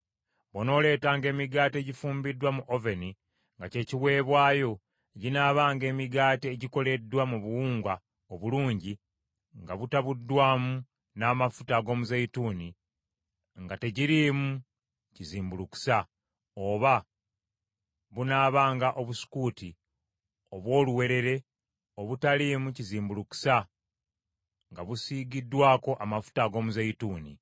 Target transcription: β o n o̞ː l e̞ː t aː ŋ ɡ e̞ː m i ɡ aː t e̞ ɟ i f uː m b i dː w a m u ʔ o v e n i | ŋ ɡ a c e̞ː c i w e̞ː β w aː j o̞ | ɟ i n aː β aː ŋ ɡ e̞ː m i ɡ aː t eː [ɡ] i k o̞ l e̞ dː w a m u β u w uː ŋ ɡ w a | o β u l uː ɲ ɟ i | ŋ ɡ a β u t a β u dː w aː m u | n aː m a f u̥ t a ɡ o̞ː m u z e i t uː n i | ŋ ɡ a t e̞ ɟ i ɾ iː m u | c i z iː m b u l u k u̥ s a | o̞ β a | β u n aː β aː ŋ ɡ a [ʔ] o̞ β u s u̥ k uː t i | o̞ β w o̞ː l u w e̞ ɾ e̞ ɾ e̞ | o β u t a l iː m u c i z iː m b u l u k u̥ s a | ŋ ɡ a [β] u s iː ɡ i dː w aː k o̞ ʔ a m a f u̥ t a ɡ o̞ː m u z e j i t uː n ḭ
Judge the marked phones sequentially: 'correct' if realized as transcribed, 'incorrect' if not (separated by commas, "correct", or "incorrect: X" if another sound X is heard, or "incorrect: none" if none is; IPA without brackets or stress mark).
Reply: incorrect: ɟ, correct, correct